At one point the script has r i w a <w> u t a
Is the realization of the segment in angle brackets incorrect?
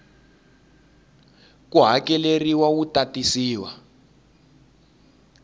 no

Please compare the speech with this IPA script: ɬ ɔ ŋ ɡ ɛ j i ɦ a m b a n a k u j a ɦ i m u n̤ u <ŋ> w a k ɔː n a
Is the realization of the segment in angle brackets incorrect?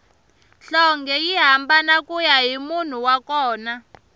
yes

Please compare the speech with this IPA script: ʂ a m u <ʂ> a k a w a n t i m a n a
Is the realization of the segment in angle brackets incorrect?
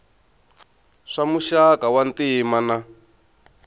yes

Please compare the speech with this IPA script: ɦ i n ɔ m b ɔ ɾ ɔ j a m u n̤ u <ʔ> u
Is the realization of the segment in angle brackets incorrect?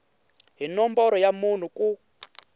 yes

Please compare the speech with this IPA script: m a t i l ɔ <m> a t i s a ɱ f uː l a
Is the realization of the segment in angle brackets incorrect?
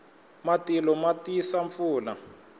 no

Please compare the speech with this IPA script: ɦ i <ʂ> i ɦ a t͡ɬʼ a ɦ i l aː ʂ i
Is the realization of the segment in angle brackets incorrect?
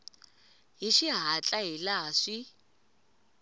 yes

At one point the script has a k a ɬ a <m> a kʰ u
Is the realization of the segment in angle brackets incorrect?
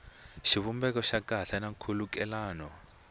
yes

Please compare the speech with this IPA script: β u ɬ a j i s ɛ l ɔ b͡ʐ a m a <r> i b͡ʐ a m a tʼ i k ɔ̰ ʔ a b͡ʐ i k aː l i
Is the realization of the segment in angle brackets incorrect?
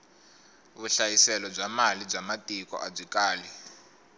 yes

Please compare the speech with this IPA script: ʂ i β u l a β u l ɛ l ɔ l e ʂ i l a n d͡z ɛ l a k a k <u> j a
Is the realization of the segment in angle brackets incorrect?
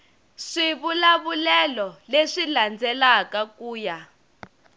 yes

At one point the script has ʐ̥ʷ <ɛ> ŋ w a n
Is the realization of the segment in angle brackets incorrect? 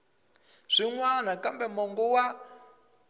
yes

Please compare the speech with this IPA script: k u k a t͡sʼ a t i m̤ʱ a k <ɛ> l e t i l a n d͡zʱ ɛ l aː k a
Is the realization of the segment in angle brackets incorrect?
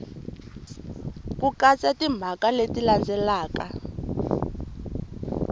yes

